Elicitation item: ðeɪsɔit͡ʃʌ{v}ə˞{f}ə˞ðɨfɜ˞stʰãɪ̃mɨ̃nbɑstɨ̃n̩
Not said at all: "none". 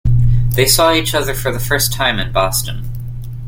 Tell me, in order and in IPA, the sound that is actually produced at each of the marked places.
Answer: ð, f

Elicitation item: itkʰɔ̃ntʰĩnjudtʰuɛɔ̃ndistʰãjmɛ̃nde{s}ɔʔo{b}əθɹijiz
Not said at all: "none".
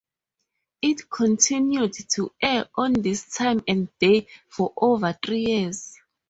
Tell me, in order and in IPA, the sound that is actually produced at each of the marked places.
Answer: f, v

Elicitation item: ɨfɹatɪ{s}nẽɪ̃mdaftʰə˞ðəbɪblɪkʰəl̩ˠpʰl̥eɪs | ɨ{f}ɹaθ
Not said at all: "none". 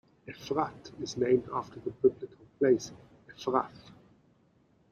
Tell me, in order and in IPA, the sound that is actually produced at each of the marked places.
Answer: z, f

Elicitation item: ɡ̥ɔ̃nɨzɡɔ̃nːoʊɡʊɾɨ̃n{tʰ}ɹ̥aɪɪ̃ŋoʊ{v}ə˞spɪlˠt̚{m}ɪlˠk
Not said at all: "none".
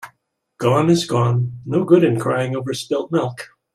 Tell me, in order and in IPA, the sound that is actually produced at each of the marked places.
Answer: kʰ, v, m

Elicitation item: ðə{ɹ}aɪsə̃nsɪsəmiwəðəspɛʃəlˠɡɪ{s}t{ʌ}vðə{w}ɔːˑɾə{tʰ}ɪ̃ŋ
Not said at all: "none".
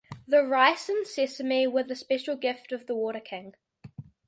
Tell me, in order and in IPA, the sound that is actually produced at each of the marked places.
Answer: ɹ, f, ə, w, kʰ

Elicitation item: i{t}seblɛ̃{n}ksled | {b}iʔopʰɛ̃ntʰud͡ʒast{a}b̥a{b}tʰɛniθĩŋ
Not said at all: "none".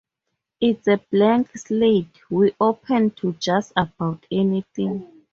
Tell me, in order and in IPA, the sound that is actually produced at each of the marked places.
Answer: t, ŋ, w, a, w

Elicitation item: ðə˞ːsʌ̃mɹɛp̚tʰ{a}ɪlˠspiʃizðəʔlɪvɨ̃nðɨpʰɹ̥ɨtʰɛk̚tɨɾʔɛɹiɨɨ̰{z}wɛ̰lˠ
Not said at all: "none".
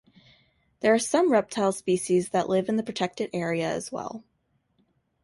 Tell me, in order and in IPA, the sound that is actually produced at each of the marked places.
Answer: a, z

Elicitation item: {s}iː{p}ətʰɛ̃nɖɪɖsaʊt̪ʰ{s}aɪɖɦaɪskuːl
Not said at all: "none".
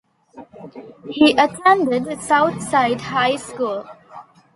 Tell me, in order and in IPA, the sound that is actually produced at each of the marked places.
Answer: h, ʔ, s

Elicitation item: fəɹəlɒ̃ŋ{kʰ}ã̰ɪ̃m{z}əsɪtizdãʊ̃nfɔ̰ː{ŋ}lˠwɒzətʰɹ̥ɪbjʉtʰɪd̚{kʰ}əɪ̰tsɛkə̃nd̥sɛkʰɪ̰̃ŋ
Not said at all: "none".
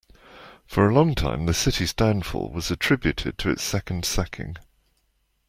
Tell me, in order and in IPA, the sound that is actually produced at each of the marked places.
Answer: tʰ, ð, none, tʰ

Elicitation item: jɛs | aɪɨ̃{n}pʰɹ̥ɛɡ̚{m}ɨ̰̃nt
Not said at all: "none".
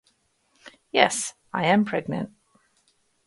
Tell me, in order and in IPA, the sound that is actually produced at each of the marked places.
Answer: m, n

